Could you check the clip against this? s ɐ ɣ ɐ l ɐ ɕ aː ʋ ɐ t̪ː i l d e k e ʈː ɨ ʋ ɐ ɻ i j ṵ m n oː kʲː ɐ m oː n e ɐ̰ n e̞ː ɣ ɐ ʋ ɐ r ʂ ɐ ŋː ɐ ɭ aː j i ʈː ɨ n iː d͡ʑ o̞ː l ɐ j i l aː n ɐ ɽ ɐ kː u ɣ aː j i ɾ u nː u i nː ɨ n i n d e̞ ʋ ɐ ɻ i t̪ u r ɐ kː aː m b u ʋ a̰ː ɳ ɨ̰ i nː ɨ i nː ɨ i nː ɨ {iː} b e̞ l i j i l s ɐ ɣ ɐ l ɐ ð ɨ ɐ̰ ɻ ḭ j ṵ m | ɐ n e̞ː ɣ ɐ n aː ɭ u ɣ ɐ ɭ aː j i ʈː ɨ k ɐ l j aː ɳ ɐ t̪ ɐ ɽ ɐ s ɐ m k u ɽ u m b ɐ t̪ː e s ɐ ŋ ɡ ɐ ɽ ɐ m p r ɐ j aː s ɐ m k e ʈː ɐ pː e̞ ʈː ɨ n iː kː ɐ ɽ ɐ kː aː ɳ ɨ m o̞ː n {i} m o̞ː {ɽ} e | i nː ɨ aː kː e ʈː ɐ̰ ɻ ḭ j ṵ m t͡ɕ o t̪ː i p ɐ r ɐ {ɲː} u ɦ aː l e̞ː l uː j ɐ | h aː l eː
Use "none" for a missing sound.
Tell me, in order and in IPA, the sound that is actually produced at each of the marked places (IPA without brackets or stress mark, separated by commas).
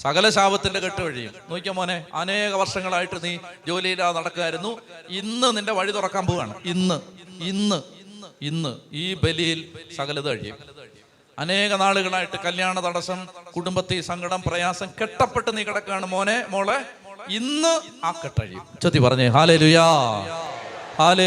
iː, e, ɭ, ɲː